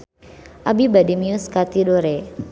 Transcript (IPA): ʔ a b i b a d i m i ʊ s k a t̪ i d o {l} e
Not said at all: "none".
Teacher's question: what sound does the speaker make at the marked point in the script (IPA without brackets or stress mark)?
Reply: ɾ